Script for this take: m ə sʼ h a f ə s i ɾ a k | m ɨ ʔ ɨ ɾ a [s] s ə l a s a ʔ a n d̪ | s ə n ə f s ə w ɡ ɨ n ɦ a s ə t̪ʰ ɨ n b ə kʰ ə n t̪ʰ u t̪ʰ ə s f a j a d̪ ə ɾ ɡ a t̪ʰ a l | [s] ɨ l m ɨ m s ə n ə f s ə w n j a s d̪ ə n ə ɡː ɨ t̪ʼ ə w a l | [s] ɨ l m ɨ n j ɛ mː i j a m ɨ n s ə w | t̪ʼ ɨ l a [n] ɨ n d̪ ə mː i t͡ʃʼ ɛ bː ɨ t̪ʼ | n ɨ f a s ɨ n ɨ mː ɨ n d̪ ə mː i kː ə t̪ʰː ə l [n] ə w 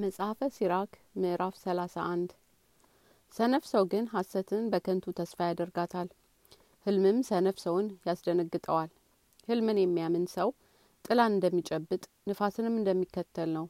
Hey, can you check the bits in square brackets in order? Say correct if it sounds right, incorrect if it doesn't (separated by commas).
incorrect, incorrect, incorrect, correct, correct